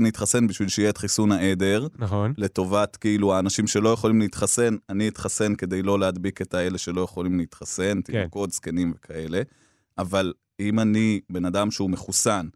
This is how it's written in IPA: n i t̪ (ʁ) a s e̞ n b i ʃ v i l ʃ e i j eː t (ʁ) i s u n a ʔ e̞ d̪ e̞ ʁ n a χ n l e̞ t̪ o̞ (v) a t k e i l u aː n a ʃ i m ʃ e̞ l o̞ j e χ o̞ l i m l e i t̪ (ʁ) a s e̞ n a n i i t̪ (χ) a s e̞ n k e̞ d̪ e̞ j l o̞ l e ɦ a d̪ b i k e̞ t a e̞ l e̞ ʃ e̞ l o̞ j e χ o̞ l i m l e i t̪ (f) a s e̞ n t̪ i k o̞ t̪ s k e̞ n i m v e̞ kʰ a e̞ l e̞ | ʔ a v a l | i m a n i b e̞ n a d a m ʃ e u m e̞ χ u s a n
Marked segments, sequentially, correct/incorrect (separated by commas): incorrect, incorrect, correct, incorrect, correct, incorrect